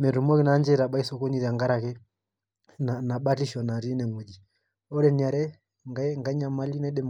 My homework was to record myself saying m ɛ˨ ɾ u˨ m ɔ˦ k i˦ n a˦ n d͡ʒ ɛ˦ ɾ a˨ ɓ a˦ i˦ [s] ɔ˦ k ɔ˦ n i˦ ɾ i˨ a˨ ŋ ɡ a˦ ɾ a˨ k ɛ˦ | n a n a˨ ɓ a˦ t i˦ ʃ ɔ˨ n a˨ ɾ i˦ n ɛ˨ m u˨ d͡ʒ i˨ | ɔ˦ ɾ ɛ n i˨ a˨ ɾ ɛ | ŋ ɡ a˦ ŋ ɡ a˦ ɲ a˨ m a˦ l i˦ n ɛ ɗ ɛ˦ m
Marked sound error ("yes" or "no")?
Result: no